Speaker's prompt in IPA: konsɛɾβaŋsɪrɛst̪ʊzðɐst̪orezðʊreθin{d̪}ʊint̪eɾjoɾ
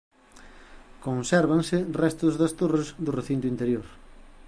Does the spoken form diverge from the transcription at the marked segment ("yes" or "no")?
yes